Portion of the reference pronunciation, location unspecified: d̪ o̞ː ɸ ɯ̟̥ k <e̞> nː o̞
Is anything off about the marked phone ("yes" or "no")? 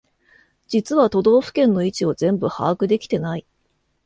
yes